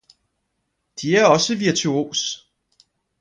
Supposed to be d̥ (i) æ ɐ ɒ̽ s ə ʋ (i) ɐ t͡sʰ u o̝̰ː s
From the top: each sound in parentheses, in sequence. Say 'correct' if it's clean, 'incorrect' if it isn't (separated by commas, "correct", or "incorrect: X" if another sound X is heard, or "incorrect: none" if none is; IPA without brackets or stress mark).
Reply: correct, correct